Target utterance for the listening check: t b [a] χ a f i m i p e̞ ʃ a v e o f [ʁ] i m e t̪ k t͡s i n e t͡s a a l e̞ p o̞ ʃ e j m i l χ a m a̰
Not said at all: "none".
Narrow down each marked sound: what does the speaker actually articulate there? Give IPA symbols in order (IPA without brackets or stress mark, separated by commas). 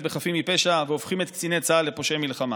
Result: e, χ